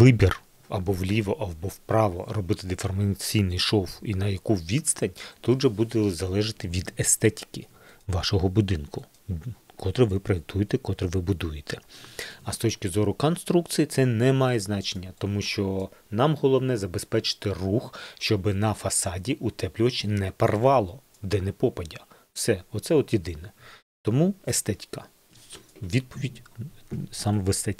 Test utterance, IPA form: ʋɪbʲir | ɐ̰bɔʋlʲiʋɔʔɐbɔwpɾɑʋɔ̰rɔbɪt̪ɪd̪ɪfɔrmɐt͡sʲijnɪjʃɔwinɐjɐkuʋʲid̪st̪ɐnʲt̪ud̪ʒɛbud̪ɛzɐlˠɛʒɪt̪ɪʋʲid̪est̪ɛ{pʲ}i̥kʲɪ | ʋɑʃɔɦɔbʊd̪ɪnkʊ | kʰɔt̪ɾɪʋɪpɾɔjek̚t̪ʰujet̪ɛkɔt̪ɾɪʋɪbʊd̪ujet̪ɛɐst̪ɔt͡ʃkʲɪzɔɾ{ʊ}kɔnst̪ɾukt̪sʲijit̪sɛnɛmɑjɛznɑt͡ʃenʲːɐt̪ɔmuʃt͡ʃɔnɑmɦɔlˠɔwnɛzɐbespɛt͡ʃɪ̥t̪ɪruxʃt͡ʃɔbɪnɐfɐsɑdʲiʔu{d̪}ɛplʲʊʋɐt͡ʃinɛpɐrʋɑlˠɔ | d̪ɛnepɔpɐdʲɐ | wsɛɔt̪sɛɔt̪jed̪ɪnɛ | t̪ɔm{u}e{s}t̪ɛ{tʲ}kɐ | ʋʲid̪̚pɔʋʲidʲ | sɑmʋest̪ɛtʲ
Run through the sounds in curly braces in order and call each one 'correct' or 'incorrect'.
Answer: incorrect, correct, incorrect, correct, correct, correct

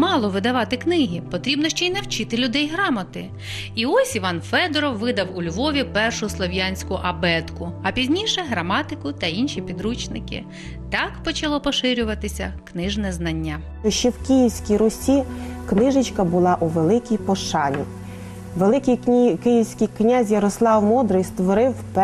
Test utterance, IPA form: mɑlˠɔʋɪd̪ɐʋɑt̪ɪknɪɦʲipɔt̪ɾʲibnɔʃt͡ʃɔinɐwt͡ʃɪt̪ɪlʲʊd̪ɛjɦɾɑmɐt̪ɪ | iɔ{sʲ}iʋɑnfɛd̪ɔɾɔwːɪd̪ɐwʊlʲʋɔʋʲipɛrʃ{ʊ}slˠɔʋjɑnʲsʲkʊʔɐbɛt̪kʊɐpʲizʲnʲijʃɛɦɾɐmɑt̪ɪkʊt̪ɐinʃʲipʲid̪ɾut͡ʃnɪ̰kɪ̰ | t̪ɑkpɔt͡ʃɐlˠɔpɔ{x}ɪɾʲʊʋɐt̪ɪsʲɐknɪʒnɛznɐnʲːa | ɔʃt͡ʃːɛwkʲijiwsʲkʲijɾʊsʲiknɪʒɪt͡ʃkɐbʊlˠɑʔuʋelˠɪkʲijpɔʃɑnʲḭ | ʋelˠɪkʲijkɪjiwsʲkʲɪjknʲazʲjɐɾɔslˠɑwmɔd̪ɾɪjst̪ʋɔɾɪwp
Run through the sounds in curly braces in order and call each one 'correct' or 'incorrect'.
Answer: correct, correct, incorrect

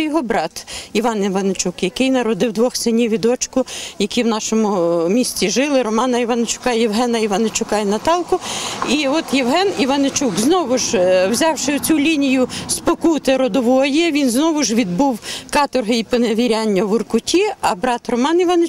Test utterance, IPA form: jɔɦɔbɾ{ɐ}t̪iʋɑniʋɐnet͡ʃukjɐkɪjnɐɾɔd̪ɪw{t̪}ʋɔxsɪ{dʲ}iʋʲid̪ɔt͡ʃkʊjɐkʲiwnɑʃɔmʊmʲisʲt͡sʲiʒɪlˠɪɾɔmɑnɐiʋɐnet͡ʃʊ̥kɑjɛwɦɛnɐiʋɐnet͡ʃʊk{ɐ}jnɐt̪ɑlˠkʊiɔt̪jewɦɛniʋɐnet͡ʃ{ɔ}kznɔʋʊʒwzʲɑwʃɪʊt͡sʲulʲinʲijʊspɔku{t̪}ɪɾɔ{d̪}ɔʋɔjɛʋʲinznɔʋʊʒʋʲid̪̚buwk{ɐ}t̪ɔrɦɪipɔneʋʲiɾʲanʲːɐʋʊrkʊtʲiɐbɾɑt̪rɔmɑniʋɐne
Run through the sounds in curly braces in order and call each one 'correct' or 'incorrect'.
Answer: incorrect, incorrect, incorrect, incorrect, incorrect, correct, correct, incorrect

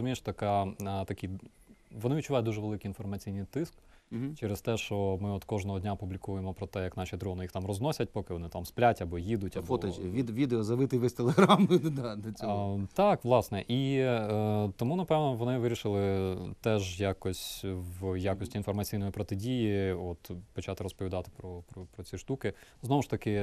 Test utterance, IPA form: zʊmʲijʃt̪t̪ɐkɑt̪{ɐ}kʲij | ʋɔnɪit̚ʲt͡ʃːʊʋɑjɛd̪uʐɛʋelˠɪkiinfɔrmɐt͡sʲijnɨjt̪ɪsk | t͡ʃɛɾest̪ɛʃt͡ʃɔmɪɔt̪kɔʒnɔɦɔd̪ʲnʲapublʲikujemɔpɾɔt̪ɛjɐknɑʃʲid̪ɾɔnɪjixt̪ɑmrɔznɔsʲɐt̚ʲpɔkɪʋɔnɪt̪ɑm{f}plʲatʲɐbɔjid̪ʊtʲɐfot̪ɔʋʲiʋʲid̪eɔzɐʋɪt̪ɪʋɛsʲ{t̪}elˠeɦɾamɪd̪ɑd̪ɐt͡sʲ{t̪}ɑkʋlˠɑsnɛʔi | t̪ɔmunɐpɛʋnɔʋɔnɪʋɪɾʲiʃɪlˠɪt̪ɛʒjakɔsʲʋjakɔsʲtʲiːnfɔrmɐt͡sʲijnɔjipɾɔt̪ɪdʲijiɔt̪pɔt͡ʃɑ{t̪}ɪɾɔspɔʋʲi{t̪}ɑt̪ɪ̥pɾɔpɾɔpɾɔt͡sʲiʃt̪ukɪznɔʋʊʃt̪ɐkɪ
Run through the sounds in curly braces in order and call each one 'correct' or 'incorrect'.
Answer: correct, incorrect, correct, correct, correct, incorrect

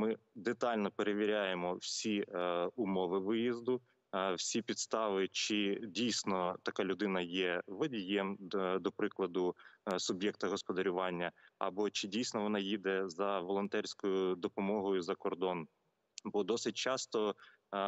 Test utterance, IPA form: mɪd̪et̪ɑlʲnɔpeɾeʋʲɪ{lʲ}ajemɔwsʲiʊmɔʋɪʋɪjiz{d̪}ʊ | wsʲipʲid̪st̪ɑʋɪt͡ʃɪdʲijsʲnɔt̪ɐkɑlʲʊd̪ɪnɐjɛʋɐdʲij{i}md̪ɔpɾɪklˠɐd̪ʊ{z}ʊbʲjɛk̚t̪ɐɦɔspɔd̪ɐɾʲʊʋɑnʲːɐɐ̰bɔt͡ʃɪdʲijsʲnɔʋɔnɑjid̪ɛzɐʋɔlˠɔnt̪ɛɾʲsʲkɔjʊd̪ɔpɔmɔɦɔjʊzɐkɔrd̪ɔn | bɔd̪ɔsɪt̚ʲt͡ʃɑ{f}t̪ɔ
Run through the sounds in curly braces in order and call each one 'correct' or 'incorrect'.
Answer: incorrect, correct, incorrect, incorrect, incorrect

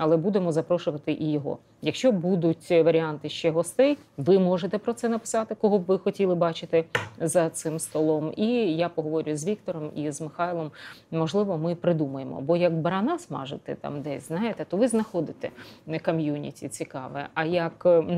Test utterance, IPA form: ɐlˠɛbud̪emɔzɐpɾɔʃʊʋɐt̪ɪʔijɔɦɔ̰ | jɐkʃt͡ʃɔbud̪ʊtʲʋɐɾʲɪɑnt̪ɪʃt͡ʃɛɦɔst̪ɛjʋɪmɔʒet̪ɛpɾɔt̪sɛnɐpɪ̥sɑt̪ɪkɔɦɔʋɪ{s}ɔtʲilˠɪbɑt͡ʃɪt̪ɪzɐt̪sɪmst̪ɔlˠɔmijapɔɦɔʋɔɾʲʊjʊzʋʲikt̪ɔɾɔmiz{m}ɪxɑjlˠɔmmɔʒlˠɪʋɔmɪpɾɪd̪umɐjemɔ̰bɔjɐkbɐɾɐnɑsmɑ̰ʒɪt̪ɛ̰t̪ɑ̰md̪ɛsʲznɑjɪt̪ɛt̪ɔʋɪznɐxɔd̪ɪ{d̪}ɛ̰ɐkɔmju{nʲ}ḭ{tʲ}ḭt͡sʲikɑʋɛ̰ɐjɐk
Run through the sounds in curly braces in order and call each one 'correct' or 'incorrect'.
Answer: incorrect, correct, incorrect, correct, correct

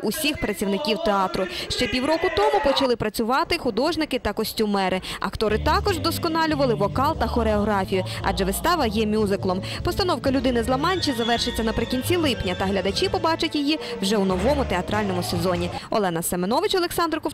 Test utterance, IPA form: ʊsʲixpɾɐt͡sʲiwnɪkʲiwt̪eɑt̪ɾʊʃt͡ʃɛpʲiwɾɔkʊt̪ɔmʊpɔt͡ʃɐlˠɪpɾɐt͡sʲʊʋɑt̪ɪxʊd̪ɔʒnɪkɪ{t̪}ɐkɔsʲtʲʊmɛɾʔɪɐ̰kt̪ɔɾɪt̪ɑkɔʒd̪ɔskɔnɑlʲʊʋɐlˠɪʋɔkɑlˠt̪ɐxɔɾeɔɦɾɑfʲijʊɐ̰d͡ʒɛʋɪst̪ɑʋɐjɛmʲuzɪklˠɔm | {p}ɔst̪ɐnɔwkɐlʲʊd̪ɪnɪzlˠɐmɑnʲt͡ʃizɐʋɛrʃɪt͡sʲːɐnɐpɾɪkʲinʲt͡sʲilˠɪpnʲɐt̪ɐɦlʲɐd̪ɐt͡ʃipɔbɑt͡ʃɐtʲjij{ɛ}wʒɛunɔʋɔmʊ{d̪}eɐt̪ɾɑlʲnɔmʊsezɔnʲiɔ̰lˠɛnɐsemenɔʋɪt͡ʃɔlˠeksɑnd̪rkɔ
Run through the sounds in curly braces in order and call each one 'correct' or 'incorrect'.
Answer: correct, correct, incorrect, incorrect

